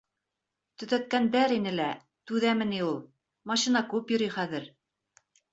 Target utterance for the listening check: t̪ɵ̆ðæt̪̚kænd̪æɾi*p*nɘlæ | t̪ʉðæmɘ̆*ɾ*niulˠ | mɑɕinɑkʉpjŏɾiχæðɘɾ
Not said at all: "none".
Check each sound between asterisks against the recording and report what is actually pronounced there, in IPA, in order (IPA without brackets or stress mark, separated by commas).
none, none